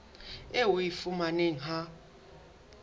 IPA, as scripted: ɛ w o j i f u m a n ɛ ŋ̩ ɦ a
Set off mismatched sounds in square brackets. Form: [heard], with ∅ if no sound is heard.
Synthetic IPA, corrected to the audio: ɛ w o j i f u m a n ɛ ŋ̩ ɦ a